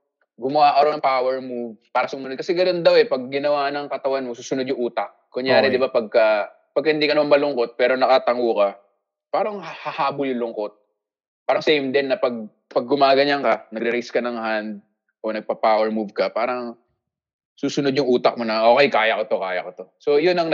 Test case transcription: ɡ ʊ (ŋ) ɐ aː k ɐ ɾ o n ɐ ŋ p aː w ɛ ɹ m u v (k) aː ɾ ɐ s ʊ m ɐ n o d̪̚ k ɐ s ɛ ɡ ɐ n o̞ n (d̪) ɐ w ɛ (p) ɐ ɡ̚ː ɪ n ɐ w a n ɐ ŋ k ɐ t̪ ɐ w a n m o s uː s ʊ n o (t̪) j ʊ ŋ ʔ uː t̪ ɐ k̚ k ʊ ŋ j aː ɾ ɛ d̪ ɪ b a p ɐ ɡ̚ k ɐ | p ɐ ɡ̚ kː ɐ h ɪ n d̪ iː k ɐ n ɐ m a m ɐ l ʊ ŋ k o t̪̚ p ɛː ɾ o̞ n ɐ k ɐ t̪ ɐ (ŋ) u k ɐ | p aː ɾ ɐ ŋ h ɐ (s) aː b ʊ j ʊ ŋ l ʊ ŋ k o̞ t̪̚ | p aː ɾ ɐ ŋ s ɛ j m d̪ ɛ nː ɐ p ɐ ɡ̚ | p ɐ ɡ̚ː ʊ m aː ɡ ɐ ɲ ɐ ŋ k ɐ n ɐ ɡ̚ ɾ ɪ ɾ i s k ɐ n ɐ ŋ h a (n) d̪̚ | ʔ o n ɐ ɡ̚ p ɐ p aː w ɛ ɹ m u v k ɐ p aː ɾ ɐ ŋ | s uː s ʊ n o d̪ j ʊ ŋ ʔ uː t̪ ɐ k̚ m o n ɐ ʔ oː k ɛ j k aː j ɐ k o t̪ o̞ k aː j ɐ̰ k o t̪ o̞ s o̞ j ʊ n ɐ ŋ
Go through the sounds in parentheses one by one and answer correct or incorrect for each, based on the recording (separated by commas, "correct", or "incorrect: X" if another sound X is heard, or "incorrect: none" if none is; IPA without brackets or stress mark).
incorrect: m, incorrect: p, correct, correct, incorrect: d̪, correct, incorrect: h, correct